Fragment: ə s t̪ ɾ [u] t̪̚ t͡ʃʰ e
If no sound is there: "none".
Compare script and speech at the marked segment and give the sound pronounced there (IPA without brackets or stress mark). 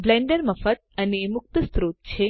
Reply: o